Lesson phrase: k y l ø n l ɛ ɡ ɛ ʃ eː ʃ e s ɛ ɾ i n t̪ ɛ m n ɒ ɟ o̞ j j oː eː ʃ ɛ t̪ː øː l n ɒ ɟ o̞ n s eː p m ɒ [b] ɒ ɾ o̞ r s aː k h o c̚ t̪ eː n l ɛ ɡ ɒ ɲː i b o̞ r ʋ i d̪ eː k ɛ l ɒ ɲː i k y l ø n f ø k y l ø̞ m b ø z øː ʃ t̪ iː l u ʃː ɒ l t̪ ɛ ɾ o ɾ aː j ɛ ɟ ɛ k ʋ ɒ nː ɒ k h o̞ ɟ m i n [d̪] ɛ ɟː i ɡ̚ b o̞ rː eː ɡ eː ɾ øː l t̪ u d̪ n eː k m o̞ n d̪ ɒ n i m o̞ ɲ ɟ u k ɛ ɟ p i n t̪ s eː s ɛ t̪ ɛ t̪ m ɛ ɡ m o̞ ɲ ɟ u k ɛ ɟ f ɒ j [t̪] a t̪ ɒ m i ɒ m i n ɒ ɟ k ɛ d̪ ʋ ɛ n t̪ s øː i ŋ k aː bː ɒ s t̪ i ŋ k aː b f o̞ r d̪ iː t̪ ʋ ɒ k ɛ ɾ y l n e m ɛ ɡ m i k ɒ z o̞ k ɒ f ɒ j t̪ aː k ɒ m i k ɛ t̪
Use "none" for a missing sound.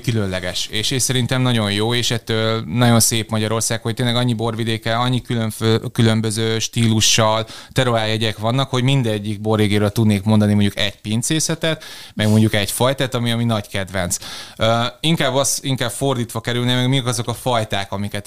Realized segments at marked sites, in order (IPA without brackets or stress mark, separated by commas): ɟ, d̪, t̪